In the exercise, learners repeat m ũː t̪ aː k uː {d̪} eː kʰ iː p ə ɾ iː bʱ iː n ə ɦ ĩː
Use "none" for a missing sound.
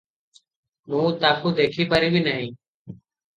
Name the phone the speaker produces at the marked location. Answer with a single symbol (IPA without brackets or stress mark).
d̪